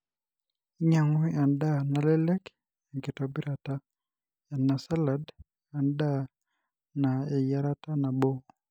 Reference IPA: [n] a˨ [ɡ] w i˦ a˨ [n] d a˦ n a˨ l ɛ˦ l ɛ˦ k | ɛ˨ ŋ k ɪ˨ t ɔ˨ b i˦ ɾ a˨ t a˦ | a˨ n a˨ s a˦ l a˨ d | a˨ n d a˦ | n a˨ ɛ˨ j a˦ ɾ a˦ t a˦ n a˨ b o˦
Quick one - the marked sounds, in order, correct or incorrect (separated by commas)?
incorrect, incorrect, correct